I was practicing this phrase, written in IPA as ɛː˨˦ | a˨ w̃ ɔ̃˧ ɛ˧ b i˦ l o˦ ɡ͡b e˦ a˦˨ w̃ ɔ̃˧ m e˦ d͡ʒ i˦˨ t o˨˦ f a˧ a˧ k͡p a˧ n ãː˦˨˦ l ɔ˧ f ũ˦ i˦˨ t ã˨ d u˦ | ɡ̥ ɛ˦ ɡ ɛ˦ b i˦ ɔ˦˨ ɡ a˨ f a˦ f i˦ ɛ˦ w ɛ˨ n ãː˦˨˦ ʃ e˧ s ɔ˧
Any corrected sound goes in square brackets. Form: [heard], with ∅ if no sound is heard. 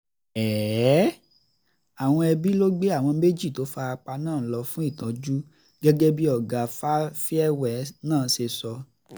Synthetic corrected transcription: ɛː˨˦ | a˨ w̃ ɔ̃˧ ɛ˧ b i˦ l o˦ ɡ͡b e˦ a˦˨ w̃ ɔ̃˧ m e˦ d͡ʒ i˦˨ t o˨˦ f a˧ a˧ k͡p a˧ n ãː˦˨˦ l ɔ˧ f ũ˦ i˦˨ t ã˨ [d͡ʒ] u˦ | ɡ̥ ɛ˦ ɡ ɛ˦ b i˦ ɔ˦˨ ɡ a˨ f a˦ f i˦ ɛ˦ w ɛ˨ n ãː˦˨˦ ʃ e˧ s ɔ˧